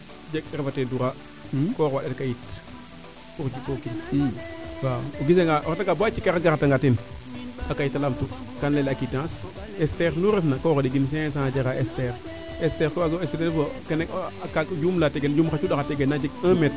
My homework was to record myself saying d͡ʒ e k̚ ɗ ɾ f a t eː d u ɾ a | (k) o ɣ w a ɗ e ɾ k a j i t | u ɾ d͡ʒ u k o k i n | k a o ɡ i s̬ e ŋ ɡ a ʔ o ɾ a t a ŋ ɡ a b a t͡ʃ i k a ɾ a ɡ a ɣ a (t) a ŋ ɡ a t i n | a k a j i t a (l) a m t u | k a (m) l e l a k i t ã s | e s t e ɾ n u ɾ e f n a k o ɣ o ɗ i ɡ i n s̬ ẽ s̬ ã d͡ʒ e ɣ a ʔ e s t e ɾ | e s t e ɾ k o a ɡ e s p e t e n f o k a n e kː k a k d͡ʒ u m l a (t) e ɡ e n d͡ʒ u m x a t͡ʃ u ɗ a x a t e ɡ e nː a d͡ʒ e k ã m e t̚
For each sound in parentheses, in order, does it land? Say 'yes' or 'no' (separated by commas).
yes, yes, yes, no, yes